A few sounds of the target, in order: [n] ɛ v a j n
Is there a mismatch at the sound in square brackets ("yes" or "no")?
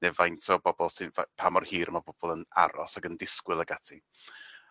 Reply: no